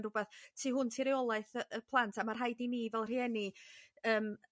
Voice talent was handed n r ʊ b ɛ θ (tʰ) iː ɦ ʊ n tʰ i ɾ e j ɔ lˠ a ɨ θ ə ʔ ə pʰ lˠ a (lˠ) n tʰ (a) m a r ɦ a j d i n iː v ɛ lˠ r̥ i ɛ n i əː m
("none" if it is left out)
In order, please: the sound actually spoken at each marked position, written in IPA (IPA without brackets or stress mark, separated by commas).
tʰ, none, a